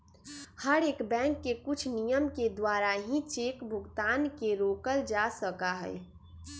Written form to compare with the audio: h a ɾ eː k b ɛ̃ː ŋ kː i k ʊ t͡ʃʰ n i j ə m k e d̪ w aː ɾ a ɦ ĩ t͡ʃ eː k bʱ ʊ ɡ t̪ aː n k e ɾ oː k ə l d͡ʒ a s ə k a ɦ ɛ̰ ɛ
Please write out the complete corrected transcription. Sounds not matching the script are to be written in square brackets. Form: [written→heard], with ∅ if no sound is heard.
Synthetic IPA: h [a→ə] ɾ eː k b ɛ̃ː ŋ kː [i→e] k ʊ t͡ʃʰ n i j ə m k e d̪ w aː ɾ a ɦ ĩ t͡ʃ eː k bʱ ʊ ɡ t̪ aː n k e ɾ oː k ə l d͡ʒ a s ə k a ɦ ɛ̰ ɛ